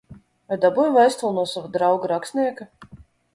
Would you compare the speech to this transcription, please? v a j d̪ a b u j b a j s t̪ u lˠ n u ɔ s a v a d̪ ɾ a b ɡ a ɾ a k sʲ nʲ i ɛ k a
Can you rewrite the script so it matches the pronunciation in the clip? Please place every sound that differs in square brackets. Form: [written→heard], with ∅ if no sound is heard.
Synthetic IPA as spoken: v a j d̪ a b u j [b→v] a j s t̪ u lˠ n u ɔ s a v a d̪ ɾ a [b→w] ɡ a ɾ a k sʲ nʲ i ɛ k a